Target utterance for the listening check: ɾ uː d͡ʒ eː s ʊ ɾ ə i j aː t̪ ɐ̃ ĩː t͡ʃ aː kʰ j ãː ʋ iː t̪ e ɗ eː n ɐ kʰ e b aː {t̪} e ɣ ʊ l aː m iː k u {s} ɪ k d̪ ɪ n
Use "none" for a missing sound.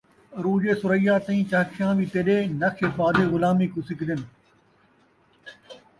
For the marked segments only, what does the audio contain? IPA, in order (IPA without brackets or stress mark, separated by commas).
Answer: d̪, s